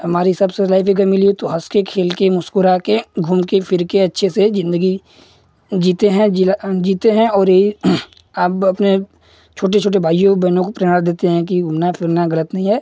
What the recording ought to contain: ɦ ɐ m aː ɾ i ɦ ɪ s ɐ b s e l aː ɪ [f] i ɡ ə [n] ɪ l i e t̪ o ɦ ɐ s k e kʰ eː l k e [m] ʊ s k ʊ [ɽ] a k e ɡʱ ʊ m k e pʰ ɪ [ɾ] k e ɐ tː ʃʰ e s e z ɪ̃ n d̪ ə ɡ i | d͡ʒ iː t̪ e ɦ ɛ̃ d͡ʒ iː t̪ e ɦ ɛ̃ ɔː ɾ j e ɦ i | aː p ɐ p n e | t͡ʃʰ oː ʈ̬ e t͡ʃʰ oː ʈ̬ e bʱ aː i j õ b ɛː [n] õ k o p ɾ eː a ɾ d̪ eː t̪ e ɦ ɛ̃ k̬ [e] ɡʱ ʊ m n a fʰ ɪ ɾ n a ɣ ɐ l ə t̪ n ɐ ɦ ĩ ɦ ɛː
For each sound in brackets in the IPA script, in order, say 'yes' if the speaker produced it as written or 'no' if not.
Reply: yes, no, yes, no, yes, yes, no

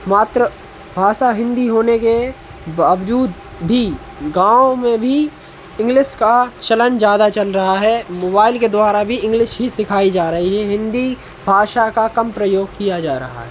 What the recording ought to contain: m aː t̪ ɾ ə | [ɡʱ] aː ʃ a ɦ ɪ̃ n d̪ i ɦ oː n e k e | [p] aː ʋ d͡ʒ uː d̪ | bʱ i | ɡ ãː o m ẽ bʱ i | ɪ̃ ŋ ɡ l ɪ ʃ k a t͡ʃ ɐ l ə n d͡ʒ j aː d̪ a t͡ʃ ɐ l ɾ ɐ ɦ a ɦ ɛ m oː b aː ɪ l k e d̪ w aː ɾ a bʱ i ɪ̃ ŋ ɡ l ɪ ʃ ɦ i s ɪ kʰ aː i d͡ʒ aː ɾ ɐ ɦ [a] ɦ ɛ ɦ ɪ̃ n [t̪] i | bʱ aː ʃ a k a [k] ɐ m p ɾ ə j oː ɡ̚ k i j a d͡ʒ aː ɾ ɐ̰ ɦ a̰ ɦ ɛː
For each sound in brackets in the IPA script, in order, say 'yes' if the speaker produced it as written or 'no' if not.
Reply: no, no, no, no, yes

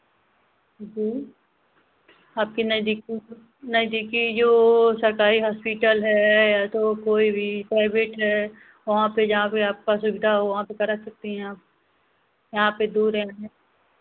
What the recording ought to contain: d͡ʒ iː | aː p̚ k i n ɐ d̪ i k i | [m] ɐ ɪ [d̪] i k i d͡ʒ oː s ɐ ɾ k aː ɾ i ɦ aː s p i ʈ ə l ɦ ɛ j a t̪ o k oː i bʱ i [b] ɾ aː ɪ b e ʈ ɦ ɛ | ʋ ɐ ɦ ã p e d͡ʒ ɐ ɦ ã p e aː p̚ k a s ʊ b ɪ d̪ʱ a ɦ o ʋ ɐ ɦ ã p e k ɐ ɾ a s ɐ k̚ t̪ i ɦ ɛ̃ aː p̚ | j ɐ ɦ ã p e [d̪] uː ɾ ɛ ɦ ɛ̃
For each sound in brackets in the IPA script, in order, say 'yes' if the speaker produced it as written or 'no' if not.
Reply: no, yes, no, yes

